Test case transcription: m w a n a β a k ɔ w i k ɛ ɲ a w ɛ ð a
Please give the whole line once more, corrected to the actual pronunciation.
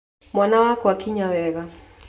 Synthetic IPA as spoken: m w a n a w a k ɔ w a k i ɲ a w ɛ ɣ a

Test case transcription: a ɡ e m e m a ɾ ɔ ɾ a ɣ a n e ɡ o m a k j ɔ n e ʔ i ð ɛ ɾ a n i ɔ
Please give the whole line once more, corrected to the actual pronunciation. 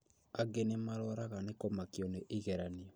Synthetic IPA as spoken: a ɡ e n e m a ɾ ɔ ɾ a ɣ a n e k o m a k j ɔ n e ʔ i ɣ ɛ ɾ a n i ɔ

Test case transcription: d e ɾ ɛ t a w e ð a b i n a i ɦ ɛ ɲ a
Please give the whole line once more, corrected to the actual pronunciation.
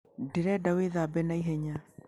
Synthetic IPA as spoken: d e ɾ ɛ d a w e ð a b ɛ n a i ɦ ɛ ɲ a

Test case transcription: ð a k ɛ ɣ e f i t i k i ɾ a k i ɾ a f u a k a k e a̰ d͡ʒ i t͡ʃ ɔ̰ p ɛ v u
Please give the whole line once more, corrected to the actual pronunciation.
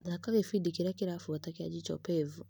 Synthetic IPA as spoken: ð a k a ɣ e f i d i k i ɾ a k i ɾ a f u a t a k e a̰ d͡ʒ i t͡ʃ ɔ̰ p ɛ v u

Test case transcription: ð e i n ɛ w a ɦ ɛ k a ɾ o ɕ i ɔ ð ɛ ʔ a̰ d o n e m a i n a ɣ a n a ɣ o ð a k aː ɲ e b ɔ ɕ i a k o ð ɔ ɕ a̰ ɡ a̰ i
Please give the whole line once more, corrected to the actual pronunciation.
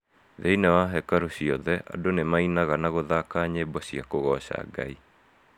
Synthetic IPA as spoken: ð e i n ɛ w a ɦ ɛ k a ɾ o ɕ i ɔ ð ɛ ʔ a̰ d o n e m a i n a ɣ a n a ɣ o ð a k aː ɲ e b ɔ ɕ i a k o ɣ ɔ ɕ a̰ ɡ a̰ i

